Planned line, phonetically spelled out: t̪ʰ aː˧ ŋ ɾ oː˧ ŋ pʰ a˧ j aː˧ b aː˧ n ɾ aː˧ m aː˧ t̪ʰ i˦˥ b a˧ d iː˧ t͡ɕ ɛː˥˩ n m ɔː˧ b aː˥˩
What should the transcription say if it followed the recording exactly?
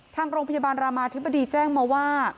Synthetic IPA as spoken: t̪ʰ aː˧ ŋ ɾ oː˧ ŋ pʰ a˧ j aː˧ b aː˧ n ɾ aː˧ m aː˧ t̪ʰ i˦˥ b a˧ d iː˧ t͡ɕ ɛː˥˩ ŋ m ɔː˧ w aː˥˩